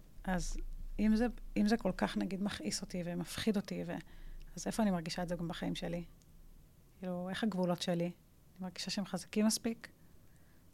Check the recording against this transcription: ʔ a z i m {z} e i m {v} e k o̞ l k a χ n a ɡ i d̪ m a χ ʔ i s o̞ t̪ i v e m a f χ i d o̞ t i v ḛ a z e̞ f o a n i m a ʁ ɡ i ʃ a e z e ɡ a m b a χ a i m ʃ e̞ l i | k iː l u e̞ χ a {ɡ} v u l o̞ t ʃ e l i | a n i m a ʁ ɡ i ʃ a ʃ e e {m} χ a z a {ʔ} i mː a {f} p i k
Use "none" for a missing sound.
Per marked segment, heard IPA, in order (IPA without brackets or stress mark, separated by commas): z, z, ɡ, m, k, s